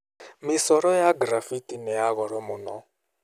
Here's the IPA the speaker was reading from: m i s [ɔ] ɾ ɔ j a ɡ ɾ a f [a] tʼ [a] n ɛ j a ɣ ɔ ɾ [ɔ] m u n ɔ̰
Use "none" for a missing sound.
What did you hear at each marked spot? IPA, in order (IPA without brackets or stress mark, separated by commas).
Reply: ɔ, i, i, ɔ